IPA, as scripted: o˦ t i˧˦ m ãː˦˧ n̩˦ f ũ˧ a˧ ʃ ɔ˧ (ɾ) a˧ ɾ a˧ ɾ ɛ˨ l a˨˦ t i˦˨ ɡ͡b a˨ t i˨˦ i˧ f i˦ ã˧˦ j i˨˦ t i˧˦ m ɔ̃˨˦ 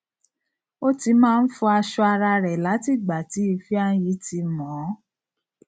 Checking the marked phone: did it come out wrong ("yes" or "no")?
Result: yes